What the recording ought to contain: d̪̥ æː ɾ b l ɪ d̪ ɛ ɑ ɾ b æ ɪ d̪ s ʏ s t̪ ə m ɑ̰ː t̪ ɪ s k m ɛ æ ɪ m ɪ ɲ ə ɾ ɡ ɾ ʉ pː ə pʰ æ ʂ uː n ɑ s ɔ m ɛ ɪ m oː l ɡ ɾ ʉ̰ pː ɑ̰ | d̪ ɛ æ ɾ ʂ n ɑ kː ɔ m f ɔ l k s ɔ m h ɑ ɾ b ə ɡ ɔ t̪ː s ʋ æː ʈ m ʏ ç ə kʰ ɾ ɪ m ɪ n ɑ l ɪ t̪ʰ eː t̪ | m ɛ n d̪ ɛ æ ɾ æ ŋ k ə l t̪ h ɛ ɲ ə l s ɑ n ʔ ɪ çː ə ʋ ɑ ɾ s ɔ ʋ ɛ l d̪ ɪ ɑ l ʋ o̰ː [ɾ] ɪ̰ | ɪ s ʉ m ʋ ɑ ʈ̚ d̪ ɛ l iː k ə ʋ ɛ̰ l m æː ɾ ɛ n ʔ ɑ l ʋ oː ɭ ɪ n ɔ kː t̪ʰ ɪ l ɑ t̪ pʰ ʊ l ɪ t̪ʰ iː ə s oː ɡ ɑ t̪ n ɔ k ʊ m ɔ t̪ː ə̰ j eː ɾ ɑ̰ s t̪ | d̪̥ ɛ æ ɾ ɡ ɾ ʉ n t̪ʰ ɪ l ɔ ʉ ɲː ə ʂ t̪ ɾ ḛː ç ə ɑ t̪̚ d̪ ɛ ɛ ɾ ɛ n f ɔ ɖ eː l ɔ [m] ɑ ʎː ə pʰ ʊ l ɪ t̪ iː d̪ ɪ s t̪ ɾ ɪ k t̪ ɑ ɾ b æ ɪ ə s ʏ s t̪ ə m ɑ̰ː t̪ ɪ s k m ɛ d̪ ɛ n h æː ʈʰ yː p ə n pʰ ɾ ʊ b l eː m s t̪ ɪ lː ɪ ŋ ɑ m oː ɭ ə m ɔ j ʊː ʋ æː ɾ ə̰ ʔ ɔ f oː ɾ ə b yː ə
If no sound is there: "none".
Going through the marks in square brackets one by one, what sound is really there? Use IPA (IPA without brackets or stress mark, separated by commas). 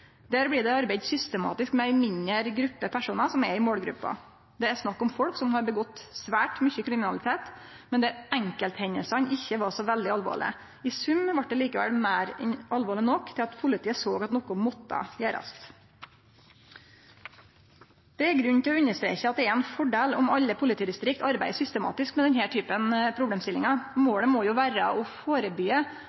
ɭ, m